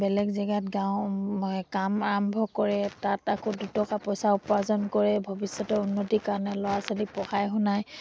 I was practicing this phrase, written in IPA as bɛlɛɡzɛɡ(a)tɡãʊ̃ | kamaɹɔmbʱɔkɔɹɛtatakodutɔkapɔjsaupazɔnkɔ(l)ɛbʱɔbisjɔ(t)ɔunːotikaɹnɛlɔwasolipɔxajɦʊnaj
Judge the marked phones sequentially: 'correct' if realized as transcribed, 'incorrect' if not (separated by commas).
correct, incorrect, correct